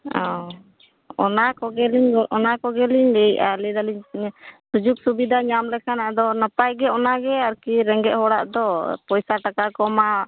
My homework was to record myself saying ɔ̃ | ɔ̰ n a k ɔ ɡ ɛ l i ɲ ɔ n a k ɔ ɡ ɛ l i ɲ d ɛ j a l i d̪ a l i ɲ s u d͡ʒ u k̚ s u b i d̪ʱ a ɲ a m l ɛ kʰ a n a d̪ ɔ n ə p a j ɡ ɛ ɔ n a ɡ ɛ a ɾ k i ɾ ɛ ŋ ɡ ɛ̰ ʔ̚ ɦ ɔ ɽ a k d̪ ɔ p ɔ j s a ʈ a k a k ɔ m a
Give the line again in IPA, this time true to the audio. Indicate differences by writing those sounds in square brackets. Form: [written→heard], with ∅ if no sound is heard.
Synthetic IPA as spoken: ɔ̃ | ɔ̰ n a k ɔ ɡ ɛ l i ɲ ɔ n a k ɔ ɡ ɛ l i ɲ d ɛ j a l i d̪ a l i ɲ s u d͡ʒ u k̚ s u b i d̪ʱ a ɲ a m l ɛ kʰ a n a d̪ ɔ n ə p a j ɡ ɛ ɔ n a ɡ ɛ a ɾ k i ɾ ɛ ŋ ɡ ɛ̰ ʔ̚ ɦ ɔ ɽ a [k→ʔ] d̪ ɔ p ɔ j s a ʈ a k a k ɔ m a